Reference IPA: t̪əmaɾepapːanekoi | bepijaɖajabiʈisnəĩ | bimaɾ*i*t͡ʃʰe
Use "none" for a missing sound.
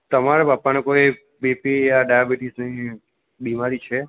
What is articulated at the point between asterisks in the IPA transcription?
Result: i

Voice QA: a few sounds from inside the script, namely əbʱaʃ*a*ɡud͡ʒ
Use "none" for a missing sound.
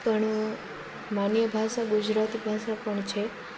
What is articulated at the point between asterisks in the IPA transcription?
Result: a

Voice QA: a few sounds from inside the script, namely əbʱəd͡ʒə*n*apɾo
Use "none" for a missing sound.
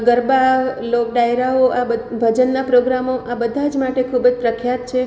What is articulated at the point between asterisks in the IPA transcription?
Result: nː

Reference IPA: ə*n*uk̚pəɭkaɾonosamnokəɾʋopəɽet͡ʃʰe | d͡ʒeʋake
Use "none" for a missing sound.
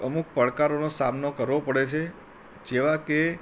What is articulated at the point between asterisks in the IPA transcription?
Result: m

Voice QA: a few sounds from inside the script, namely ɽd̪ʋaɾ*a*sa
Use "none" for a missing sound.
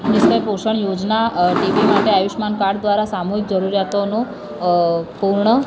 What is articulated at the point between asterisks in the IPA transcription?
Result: a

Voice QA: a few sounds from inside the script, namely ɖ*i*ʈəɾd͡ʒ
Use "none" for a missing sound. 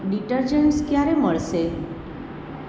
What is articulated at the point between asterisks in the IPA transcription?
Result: i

